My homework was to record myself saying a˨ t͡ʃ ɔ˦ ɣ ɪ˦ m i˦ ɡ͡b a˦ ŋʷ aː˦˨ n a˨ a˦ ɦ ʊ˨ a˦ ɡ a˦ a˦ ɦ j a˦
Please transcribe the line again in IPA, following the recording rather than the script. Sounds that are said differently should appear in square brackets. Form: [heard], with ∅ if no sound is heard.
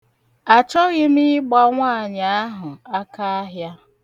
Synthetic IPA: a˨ t͡ʃ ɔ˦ ɣ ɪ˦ m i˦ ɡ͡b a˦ ŋʷ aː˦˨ [ɲ] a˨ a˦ ɦ ʊ˨ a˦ [k] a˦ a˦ ɦ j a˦